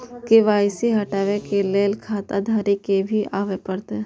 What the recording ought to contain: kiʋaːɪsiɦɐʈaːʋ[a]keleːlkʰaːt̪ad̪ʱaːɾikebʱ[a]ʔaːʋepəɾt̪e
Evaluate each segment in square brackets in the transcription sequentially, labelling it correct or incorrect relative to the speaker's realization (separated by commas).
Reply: incorrect, incorrect